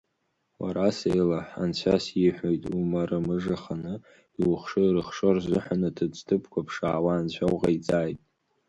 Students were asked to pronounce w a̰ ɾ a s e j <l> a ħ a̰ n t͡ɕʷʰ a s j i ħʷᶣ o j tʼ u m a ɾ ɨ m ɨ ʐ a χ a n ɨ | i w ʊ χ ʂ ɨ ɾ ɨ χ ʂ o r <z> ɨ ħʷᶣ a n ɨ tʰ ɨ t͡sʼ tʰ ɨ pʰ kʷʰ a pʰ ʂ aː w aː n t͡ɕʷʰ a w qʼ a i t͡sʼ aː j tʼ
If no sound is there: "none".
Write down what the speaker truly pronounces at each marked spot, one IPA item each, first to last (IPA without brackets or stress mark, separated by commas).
l, z